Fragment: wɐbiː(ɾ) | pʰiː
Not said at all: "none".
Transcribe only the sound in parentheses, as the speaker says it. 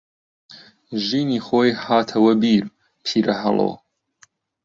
ɾ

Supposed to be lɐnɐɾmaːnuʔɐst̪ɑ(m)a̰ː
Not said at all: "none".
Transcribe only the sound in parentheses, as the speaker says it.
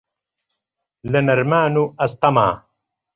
m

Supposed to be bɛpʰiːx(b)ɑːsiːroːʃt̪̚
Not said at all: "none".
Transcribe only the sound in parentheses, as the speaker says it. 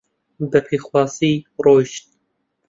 w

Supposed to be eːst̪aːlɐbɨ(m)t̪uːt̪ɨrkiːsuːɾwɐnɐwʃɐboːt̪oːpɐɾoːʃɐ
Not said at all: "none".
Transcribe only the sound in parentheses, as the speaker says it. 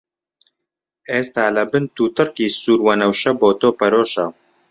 n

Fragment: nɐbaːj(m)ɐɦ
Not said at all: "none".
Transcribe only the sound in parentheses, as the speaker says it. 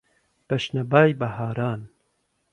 b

